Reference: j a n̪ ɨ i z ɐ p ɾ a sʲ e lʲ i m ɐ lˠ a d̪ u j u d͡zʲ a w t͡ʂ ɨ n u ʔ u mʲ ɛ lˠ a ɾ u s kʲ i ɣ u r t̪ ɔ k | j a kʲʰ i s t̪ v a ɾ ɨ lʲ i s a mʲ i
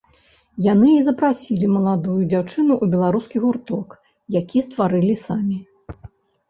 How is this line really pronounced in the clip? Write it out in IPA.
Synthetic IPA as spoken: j a n̪ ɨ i z ɐ p ɾ a sʲ i lʲ i m ɐ lˠ a d̪ u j u d͡zʲ a w t͡ʂ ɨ n u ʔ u bʲ ɛ lˠ a ɾ u s kʲ i ɣ u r t̪ ɔ k | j a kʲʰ i s t̪ v a ɾ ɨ lʲ i s a mʲ i